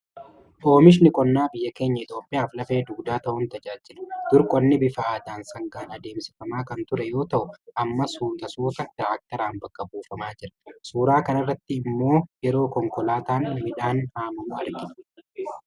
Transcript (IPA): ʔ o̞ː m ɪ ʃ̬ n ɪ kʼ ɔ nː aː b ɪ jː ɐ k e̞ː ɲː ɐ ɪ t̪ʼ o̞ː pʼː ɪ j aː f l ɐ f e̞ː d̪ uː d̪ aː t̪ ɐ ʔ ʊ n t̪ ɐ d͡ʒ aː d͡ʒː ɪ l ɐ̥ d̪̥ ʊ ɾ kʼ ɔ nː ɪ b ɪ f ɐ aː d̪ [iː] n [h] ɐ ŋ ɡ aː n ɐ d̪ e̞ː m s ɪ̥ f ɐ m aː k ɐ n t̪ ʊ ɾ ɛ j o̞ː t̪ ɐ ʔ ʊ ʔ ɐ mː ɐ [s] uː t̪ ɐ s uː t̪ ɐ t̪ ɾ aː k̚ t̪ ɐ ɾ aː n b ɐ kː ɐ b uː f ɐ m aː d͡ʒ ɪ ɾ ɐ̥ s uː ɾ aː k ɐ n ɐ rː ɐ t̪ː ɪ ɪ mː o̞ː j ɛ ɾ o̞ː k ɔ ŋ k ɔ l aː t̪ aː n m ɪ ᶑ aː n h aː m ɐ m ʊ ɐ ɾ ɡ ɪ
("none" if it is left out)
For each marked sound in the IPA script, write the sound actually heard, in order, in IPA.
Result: aː, s, s

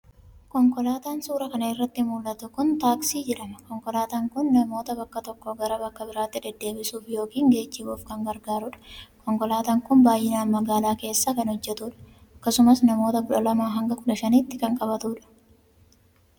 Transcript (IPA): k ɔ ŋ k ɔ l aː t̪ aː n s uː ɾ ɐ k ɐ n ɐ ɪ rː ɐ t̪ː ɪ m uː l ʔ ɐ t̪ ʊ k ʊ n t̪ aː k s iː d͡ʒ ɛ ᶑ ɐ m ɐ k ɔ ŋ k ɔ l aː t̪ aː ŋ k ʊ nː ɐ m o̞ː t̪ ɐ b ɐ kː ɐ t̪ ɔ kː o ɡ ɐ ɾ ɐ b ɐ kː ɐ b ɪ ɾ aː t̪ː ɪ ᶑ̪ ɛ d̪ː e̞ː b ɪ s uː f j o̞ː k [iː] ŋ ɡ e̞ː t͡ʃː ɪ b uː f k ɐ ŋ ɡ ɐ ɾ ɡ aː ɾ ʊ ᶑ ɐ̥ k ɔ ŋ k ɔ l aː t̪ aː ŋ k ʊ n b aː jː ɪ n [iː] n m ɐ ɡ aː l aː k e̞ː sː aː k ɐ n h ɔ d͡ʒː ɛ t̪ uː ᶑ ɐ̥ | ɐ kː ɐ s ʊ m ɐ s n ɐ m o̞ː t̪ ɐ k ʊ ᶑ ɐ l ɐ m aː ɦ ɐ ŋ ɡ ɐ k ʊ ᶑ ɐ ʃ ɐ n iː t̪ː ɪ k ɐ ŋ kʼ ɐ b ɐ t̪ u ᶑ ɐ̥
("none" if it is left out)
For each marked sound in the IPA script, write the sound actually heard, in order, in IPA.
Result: iː, aː

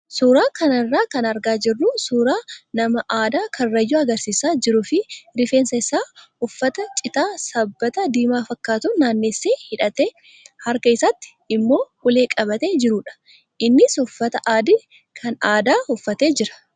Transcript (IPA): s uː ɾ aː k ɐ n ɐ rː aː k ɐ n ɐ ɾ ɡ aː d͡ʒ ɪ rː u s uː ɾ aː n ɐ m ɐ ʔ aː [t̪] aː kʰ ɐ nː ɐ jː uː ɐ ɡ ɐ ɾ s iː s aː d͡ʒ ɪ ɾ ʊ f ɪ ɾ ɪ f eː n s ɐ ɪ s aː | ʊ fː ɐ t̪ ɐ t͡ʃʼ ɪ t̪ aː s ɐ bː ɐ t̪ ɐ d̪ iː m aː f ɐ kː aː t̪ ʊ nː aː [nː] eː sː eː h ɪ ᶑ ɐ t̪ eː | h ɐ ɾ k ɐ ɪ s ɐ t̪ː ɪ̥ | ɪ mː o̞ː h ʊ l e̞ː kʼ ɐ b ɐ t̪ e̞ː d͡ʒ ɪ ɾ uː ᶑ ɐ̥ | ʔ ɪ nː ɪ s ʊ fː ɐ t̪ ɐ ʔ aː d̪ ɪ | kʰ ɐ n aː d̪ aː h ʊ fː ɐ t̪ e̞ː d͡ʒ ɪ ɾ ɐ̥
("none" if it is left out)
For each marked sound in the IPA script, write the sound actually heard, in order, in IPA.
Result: d̪, nː

